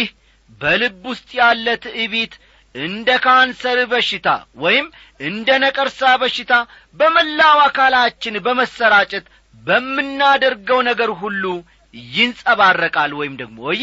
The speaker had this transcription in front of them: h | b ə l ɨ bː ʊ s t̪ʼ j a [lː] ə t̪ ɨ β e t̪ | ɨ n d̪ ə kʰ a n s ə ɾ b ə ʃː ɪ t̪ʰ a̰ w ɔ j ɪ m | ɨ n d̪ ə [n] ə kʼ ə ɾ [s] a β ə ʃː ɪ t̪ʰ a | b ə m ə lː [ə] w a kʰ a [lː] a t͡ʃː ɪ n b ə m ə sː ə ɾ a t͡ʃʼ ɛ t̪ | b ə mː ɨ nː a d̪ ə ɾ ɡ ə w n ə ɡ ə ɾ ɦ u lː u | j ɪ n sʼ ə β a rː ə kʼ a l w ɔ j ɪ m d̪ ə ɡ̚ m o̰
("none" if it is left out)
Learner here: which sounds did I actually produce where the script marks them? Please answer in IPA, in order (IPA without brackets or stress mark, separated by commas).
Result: lː, n, s, a, l